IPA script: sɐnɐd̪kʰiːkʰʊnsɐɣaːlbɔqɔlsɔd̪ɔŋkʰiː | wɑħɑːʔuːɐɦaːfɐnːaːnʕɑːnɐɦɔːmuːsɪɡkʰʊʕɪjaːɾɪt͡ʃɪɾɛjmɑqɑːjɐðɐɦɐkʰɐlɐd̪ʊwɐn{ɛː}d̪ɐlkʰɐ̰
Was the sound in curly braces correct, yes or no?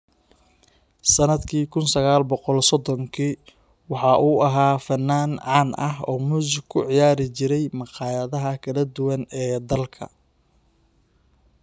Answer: yes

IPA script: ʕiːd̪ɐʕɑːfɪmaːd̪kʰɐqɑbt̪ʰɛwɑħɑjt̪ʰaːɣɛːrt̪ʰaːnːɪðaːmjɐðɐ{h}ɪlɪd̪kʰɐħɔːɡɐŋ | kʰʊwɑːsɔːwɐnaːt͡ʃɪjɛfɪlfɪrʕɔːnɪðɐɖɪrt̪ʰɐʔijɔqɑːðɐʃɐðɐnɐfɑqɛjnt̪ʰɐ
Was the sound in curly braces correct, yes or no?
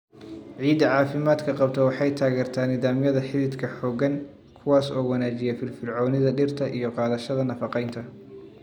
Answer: no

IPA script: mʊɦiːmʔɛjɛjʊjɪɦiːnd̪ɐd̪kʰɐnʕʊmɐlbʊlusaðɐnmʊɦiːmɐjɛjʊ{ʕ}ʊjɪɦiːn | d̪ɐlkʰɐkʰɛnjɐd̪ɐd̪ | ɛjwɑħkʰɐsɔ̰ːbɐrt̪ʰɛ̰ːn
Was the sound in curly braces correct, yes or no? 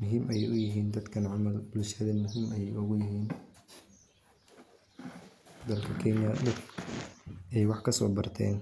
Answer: no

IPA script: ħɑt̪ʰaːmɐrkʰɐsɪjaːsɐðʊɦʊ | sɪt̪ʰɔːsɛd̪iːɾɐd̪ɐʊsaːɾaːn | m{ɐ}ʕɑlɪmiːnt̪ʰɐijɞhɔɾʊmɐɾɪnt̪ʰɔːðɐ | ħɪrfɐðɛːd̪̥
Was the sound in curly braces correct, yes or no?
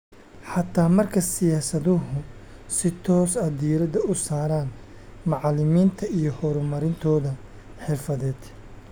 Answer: no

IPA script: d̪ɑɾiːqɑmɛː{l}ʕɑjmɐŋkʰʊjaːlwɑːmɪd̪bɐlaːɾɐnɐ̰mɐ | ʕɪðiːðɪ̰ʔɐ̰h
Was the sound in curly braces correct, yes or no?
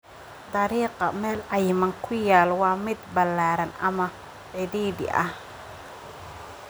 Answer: yes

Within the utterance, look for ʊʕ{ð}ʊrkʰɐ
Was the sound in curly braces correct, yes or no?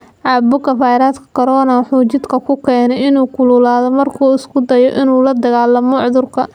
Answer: yes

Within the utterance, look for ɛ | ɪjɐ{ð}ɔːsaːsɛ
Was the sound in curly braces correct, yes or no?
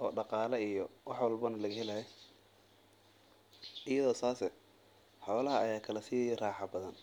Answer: yes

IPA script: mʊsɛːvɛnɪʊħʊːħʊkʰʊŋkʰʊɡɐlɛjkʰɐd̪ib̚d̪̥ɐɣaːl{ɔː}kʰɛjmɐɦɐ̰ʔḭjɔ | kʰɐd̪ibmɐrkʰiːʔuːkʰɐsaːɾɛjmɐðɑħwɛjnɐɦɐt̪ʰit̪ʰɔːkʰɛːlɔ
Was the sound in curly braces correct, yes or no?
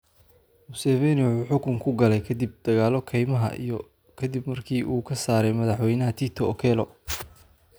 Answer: no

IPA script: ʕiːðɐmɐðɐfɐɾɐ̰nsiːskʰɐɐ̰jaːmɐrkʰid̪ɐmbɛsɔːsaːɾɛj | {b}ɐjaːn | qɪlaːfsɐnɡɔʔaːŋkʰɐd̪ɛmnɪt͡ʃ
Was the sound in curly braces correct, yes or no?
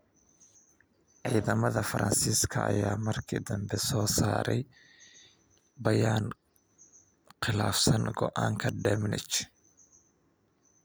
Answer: yes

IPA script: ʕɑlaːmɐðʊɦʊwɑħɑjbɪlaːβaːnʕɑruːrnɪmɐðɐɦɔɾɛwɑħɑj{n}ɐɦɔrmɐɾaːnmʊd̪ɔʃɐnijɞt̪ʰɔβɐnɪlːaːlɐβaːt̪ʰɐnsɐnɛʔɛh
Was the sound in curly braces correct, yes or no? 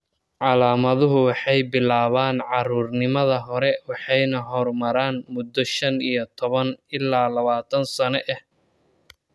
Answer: yes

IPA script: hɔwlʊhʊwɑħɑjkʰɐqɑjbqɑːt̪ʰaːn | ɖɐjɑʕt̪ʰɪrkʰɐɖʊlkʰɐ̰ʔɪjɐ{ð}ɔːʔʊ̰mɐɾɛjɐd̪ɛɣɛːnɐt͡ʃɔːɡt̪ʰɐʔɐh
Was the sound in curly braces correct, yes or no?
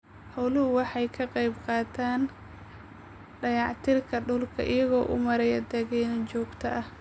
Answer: no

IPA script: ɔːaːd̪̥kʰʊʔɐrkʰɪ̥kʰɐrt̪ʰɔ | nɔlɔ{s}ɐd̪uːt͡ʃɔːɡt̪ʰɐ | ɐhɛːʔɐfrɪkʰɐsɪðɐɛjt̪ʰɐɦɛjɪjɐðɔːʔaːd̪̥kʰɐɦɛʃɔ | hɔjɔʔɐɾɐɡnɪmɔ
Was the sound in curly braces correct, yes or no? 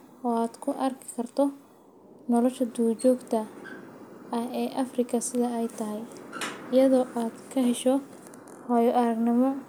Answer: no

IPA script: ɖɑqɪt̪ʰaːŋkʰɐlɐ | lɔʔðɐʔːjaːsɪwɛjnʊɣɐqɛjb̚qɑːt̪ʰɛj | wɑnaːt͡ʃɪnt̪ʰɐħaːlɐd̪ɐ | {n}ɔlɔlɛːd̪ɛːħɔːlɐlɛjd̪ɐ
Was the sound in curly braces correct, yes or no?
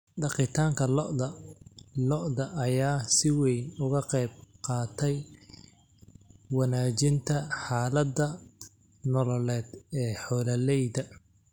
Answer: yes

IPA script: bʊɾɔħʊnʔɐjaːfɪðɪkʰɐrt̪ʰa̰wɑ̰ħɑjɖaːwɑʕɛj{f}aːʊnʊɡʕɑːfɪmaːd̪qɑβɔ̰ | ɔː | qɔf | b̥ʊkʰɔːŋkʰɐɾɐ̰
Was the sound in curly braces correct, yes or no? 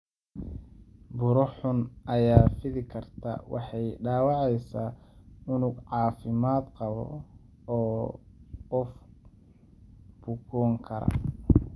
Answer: no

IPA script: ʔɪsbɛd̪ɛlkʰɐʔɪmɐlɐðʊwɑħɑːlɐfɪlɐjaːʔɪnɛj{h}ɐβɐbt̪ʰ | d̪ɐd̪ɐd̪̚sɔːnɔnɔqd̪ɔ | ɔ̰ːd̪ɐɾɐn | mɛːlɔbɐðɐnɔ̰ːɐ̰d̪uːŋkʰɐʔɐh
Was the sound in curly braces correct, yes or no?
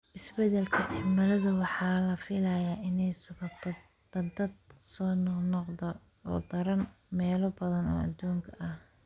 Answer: no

